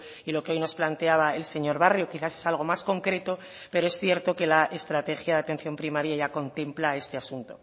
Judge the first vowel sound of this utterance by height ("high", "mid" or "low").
high